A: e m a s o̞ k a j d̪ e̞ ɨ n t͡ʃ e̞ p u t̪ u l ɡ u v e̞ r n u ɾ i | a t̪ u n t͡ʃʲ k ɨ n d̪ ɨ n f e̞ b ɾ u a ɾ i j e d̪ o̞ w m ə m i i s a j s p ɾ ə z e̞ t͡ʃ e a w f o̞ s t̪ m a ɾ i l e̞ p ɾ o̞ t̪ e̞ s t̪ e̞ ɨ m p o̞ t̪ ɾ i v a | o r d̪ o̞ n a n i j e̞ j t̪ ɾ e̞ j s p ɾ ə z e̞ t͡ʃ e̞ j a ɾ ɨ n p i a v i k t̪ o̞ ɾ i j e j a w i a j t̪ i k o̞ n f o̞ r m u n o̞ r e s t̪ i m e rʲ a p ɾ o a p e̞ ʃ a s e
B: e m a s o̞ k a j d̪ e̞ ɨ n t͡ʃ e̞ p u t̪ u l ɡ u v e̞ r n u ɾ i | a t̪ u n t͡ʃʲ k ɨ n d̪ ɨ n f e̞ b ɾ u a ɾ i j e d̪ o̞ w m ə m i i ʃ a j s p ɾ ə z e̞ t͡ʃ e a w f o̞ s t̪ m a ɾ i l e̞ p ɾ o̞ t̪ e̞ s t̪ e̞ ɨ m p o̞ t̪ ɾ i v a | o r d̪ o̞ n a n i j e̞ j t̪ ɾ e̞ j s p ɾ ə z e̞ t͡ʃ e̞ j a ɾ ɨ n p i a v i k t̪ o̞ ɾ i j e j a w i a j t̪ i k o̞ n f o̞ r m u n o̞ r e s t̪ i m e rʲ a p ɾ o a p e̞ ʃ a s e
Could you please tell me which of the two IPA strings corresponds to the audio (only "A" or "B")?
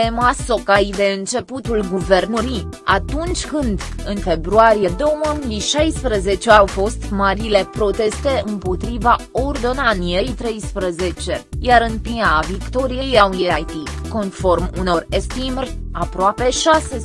B